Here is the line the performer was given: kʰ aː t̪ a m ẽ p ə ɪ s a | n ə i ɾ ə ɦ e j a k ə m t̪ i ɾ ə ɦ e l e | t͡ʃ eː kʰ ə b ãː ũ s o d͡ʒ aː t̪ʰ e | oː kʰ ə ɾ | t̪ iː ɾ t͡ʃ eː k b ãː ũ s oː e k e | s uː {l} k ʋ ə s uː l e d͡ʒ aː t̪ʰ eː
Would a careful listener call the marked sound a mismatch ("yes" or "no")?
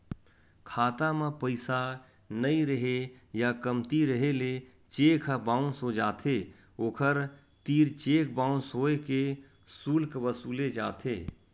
no